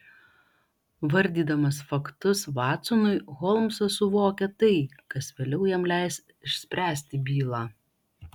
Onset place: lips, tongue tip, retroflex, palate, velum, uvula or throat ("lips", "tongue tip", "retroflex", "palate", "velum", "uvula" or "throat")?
lips